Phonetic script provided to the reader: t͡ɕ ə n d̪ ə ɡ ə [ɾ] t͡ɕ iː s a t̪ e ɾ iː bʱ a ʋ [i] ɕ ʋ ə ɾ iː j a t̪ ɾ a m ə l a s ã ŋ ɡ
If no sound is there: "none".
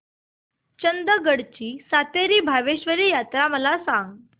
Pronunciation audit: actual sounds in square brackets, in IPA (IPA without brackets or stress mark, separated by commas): ɽ, e